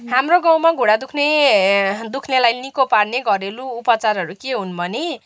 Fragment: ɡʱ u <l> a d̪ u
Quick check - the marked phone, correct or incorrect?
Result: incorrect